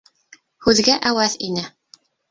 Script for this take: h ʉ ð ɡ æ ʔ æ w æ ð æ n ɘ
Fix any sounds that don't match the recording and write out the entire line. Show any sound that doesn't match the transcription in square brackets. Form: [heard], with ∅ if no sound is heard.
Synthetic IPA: h ʉ ð ɡ æ ʔ æ w æ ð [i] n ɘ